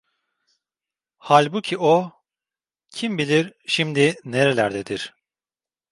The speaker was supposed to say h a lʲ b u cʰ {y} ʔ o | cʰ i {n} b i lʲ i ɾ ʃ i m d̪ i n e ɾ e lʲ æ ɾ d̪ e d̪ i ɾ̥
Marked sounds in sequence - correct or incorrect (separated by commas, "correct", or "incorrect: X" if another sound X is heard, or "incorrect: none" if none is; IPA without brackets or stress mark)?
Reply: incorrect: i, incorrect: m